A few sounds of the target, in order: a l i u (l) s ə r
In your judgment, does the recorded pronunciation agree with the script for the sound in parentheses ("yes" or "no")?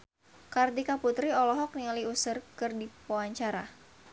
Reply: no